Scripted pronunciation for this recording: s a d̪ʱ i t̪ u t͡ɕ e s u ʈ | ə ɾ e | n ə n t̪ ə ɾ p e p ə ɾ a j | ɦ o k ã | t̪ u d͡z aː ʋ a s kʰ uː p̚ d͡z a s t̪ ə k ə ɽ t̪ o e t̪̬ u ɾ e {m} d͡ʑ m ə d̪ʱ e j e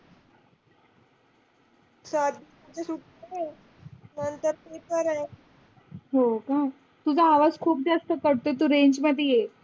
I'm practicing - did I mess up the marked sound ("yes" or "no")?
yes